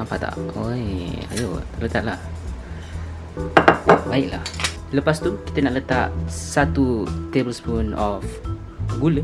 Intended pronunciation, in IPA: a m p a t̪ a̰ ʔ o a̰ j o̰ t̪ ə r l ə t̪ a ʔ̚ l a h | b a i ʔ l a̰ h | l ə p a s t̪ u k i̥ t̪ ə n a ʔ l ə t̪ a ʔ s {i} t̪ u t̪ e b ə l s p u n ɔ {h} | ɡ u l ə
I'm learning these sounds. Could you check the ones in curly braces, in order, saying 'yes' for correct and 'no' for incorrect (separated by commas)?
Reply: no, no